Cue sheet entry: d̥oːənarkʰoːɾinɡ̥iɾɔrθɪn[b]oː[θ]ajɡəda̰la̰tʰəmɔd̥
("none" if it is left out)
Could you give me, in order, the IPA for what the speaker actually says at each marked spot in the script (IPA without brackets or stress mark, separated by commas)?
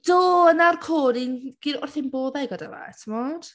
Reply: b, ð